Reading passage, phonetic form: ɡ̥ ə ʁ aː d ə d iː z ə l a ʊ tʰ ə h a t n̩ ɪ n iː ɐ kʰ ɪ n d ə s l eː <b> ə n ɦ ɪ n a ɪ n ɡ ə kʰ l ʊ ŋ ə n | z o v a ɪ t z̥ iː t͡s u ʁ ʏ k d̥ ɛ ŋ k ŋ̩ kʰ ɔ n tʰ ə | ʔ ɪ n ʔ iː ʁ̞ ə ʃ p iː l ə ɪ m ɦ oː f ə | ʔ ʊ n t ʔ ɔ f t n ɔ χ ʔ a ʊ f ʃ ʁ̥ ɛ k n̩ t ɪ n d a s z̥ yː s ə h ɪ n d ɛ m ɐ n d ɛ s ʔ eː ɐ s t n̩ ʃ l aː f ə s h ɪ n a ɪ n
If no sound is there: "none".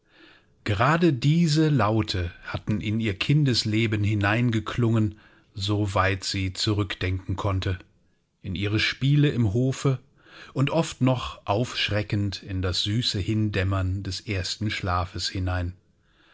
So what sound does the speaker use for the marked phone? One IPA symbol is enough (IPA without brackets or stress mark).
b